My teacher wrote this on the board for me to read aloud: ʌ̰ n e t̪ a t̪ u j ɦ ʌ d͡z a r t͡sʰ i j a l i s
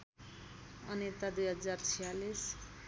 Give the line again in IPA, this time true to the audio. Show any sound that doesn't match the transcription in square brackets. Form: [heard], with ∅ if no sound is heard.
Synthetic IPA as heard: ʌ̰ n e t̪ a [d̪] u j ɦ ʌ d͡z a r t͡sʰ i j a l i s